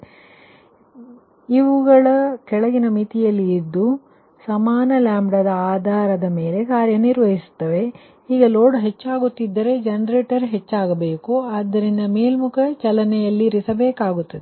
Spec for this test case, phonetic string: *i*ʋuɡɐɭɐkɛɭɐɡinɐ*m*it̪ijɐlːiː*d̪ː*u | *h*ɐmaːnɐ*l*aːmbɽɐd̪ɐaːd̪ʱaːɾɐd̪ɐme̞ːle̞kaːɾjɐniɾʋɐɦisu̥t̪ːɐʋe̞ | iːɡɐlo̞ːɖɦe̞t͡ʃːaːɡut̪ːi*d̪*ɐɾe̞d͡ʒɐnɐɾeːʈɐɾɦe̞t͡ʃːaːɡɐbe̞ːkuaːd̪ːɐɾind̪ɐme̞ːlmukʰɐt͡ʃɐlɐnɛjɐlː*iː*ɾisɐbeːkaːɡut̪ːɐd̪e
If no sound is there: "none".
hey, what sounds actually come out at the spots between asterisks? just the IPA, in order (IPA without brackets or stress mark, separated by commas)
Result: i, m, d̪ː, s, l, d̪ː, i